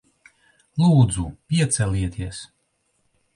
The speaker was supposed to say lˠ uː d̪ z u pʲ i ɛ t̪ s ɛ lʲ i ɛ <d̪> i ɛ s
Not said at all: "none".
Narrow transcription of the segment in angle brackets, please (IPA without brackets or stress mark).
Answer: t̪